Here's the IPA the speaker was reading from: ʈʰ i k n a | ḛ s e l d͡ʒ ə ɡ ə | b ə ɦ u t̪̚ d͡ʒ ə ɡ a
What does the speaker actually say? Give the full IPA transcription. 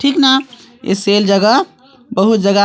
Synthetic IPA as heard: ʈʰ i k n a | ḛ s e l d͡ʒ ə ɡ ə | b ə ɦ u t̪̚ d͡ʒ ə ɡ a